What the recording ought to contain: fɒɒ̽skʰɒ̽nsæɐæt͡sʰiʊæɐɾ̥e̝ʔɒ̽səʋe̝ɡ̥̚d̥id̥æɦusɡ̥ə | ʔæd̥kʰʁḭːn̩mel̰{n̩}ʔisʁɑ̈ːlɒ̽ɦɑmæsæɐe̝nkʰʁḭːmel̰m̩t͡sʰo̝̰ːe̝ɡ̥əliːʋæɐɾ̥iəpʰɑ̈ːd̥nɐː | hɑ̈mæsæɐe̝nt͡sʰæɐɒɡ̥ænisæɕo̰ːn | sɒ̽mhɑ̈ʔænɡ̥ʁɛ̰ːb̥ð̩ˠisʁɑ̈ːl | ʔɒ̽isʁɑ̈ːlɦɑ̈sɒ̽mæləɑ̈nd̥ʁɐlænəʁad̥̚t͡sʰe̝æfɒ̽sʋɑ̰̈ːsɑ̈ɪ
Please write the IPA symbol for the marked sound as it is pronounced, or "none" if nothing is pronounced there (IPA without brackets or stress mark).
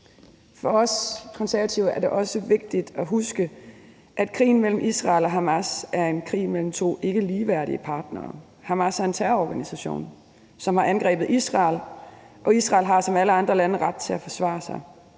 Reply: m̩